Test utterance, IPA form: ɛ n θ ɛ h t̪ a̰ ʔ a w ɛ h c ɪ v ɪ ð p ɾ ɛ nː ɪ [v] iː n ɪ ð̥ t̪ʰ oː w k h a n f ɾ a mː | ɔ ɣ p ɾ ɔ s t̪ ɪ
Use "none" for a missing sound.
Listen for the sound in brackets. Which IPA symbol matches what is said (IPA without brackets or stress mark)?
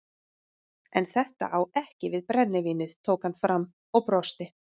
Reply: v